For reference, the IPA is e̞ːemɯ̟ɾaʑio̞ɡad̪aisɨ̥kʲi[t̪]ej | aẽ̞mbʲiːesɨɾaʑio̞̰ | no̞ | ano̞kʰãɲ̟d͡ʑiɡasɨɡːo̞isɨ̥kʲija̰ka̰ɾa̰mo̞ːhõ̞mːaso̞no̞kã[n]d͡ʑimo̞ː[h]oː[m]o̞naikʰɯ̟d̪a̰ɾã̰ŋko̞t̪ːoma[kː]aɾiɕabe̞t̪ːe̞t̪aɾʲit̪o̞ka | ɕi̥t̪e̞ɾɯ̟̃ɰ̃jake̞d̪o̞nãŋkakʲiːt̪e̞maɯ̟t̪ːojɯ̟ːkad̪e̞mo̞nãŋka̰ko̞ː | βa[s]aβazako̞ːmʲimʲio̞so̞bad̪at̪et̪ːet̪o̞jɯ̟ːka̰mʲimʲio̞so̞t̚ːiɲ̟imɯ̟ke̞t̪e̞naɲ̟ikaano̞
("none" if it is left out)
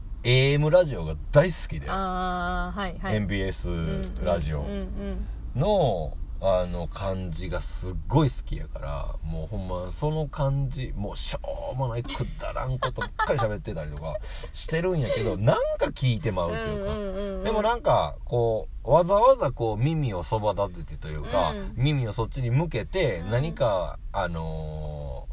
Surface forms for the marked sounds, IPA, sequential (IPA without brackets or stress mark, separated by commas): d̪, ɲ, ɕ, m, kː, z